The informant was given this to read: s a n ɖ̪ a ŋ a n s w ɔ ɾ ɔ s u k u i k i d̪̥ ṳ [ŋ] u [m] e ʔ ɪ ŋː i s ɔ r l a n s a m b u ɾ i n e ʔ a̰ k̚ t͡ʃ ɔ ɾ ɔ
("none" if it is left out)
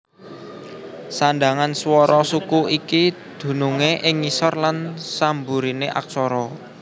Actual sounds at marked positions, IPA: n, ŋ

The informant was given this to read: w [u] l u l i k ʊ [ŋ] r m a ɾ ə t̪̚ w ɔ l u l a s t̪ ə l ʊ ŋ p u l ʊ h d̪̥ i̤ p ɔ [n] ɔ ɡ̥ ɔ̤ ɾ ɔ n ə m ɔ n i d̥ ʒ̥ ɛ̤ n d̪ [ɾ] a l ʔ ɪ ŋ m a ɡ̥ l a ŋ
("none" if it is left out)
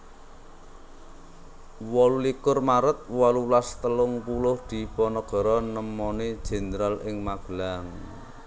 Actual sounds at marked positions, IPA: ɔ, none, n, ɾ

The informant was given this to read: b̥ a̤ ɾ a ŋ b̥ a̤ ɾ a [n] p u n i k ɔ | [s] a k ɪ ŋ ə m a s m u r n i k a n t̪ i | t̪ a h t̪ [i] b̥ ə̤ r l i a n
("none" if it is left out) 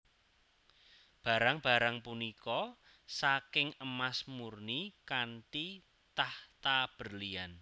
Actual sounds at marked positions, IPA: ŋ, s, a

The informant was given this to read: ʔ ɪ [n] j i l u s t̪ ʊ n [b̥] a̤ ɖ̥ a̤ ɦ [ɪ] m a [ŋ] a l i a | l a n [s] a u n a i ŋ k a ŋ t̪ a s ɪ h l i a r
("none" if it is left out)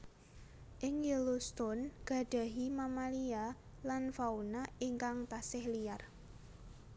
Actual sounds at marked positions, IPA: ŋ, ɡ̥, i, m, f

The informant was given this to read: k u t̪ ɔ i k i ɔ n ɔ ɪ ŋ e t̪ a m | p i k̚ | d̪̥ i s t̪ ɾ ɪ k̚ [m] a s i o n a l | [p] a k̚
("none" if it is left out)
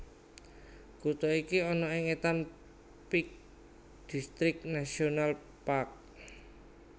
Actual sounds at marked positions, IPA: n, p

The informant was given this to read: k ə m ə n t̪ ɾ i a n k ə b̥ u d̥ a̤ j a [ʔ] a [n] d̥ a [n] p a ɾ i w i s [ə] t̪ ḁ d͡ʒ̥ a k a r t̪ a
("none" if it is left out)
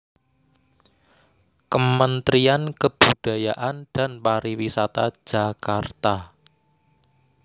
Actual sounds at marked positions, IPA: ʔ, n, n, a

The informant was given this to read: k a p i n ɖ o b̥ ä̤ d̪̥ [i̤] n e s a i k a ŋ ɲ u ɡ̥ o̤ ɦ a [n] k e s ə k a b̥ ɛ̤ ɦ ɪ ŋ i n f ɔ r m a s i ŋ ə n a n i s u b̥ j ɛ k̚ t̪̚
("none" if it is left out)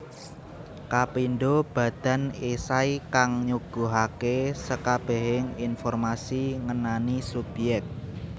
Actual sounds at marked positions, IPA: a̤, none

